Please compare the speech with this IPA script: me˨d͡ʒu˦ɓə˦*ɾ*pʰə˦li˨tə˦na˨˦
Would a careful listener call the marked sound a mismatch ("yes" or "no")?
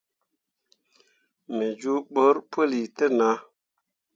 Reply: no